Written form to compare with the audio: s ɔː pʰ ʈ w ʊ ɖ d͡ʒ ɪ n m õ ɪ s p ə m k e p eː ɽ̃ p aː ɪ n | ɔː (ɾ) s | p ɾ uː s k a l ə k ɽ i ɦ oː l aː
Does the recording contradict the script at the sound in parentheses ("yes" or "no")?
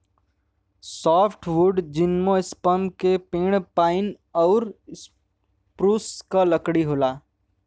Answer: no